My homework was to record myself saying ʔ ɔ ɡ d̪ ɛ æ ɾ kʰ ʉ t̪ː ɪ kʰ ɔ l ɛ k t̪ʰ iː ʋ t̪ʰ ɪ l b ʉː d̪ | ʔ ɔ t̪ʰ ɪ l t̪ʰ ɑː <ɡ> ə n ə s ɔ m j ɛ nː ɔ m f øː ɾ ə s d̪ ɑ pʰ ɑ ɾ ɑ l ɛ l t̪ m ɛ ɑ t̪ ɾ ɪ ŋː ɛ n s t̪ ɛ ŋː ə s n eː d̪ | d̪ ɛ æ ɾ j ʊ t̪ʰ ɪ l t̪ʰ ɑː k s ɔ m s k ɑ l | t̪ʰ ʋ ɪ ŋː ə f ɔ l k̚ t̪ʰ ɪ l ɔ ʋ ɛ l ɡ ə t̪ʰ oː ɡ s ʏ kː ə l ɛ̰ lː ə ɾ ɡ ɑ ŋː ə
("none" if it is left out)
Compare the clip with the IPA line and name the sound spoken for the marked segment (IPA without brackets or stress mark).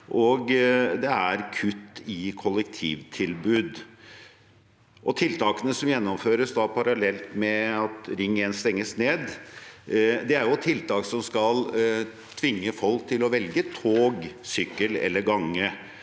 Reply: k